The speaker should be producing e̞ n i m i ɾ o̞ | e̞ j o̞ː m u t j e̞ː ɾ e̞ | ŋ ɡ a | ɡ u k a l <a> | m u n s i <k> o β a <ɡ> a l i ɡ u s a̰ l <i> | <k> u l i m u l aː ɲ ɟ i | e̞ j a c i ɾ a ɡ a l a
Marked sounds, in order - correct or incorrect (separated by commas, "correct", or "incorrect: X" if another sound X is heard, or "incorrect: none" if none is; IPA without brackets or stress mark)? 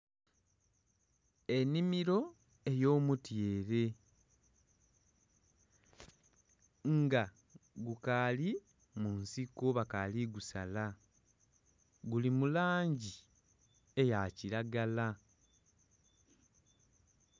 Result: incorrect: i, correct, incorrect: k, incorrect: a, incorrect: ɡ